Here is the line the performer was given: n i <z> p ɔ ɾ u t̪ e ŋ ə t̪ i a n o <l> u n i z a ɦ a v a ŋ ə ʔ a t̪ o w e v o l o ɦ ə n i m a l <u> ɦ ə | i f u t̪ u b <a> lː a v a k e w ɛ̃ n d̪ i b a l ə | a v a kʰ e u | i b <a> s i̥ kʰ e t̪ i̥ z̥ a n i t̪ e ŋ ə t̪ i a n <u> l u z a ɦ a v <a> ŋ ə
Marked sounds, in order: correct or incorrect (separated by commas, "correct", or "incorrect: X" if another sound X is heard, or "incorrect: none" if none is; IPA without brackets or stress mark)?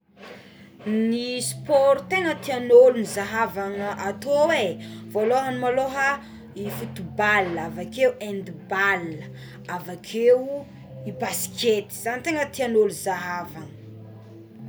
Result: incorrect: s, correct, incorrect: o, correct, correct, incorrect: o, correct